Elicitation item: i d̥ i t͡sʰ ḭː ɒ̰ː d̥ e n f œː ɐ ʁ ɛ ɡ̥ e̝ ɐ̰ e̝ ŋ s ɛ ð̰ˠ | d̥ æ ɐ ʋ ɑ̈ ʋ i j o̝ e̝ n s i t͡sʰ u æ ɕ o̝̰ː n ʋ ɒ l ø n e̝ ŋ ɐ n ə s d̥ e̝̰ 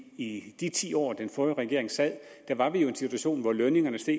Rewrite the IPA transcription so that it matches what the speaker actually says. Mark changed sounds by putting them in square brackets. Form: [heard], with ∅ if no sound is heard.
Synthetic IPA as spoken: i d̥ i t͡sʰ ḭː ɒ̰ː d̥ e n f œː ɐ ʁ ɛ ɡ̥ e̝ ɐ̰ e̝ ŋ s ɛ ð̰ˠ | d̥ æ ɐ ʋ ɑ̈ ʋ i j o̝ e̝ n s i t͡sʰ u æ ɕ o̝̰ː n ʋ ɒ l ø n e̝ ŋ ɐ n ə s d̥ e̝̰